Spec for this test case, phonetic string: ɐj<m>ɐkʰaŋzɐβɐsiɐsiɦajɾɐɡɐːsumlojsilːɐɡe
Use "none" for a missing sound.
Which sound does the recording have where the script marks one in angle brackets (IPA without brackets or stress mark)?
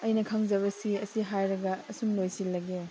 n